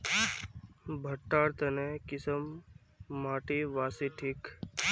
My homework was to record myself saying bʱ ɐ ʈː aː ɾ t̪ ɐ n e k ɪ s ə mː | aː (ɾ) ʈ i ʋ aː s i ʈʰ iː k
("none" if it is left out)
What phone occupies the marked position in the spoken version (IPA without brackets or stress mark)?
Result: none